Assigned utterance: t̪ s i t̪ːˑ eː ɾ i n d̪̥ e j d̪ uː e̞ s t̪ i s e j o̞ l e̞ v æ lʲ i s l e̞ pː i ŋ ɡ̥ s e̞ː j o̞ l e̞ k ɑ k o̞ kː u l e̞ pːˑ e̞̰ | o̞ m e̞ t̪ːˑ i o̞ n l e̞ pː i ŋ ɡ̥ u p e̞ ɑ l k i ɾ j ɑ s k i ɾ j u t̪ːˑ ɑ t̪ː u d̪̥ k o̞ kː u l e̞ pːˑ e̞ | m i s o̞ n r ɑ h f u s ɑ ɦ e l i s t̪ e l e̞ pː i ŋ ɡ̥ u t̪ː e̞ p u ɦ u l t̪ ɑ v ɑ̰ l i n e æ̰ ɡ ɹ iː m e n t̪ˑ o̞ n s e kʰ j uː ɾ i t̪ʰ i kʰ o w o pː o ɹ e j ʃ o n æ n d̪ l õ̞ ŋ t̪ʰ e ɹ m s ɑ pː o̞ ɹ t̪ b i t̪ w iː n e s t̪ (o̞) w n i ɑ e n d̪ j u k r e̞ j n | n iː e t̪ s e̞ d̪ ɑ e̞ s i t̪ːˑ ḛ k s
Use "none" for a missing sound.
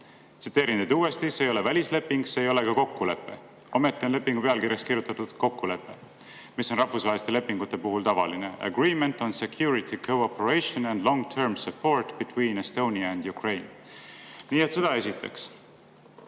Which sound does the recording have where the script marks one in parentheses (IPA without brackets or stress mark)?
o̞